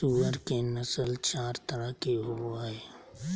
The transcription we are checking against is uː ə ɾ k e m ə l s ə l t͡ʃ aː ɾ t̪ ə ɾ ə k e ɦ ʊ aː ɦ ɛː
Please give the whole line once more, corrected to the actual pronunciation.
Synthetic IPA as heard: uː ə ɾ k e n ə s ə l t͡ʃ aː ɾ t̪ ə ɾ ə k e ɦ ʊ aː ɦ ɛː

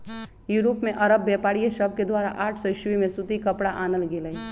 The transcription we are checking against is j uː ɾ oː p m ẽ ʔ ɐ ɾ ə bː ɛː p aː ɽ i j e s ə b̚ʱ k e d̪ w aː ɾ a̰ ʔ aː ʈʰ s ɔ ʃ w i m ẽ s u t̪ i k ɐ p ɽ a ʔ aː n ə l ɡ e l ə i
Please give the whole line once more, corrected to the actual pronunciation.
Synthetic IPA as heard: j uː ɾ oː p m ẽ ʔ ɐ ɾ ə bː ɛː p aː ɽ i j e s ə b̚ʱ k e d̪ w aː ɾ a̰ ʔ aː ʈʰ s ɔ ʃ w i m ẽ s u t̪ i k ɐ p ɽ a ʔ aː n ə l ɡ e l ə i

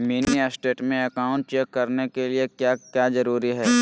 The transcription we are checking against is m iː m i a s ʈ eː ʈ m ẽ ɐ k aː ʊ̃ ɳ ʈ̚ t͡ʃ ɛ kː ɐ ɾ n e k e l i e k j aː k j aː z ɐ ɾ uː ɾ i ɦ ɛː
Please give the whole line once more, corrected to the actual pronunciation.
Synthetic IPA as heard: m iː n i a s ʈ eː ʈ m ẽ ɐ k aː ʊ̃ ɳ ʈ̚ t͡ʃ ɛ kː ɐ ɾ n e k e l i e k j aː k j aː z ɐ ɾ uː ɾ i ɦ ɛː

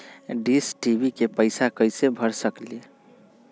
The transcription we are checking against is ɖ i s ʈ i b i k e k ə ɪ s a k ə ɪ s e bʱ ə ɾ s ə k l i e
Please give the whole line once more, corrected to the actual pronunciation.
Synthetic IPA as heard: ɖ i s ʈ i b i k e p ə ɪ s a k ə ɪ s e bʱ ə ɾ s ə k l i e

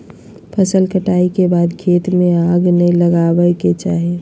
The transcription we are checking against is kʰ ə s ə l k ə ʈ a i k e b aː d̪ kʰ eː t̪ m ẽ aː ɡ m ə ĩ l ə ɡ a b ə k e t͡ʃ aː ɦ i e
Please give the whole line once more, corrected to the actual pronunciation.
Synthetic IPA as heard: pʰ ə s ə l k ə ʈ a i k e b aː d̪ kʰ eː t̪ m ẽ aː ɡ n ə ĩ l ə ɡ a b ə k e t͡ʃ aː ɦ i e

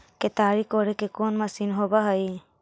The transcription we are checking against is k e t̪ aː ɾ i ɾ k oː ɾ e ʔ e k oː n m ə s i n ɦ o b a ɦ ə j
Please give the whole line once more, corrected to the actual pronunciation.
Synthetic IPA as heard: k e t̪ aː ɾ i k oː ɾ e k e k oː n m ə s i n ɦ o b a ɦ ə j

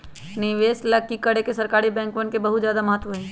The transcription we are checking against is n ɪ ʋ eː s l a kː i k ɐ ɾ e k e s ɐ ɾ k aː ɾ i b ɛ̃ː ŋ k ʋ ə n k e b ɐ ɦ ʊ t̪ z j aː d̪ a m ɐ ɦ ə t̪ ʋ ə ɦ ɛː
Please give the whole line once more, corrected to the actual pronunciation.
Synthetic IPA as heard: n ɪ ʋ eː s l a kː i k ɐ ɽ e k e s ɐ ɾ k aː ɾ i b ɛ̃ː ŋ k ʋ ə n k e b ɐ ɦ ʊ t̪ z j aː d̪ a m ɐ ɦ ə t̪ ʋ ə ɦ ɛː

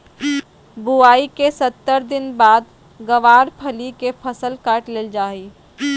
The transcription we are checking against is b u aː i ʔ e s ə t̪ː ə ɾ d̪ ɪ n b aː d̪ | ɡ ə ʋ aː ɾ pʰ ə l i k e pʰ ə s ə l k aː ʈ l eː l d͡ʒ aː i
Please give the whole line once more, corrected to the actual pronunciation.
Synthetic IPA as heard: b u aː i k e s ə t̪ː ə ɾ d̪ ɪ n b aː d̪ | ɡ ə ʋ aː ɾ pʰ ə l i k e pʰ ə s ə l k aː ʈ l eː l d͡ʒ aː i

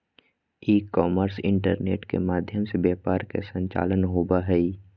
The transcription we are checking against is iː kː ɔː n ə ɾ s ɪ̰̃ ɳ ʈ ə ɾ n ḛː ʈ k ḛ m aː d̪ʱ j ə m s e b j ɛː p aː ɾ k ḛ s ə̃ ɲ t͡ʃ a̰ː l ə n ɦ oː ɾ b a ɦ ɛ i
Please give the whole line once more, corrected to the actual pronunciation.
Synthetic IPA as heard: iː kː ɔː m ə ɾ s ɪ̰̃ ɳ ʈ ə ɾ n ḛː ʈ k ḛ m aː d̪ʱ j ə m s e b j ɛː p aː ɾ k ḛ s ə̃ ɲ t͡ʃ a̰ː l ə n ɦ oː b a ɦ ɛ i

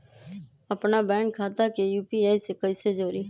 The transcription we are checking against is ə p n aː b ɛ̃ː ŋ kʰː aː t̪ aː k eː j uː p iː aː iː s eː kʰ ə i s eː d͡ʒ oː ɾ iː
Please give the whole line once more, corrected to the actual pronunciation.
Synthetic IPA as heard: ə p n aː b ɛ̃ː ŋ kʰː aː t̪ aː k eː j uː p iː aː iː s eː k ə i s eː d͡ʒ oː ɾ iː

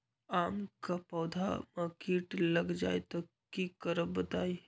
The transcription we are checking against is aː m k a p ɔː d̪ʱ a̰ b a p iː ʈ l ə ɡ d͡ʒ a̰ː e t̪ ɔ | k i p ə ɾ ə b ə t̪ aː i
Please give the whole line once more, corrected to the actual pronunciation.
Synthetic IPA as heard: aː m k a p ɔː d̪ʱ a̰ m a k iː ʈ l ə ɡ d͡ʒ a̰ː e t̪ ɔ | k i k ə ɾ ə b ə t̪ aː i

